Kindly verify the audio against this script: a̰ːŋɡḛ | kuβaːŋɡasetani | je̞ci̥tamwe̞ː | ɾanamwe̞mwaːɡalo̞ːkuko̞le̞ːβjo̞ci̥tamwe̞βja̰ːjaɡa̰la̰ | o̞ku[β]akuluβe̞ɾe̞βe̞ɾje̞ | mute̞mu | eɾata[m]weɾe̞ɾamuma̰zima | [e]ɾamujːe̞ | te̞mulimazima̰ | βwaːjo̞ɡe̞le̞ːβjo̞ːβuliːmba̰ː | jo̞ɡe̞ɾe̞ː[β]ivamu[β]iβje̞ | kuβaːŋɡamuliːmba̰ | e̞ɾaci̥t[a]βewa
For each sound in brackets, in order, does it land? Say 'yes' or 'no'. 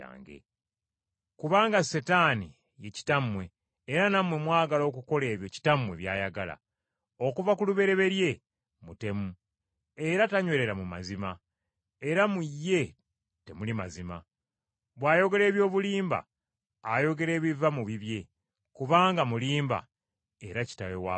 no, no, yes, yes, yes, yes

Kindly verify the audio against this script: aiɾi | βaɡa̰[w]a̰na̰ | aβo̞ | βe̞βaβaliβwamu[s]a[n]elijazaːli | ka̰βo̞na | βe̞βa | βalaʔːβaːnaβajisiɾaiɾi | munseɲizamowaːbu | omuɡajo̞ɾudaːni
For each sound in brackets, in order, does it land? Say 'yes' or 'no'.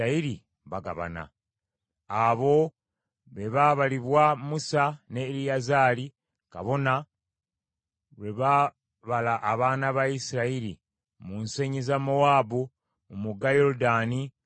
no, yes, yes

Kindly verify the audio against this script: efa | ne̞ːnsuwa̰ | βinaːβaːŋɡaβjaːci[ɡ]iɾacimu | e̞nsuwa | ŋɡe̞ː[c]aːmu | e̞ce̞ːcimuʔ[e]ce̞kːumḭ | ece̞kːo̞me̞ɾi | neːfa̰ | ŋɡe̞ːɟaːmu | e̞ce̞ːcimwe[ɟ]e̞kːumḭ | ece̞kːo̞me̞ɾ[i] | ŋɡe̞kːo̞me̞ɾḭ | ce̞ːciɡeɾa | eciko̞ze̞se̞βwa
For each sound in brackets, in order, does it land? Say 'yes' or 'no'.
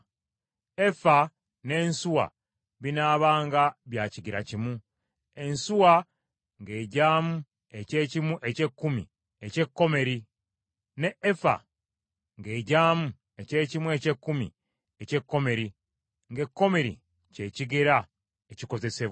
yes, no, yes, no, yes

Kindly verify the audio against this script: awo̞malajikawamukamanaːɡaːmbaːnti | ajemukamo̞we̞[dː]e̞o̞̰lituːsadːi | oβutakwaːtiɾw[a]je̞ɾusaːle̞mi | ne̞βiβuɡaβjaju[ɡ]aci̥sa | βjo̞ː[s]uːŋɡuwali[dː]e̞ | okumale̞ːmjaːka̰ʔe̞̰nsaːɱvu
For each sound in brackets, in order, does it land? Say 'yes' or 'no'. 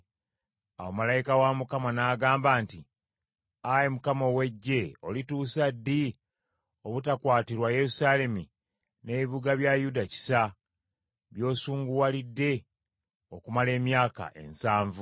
no, yes, no, yes, yes

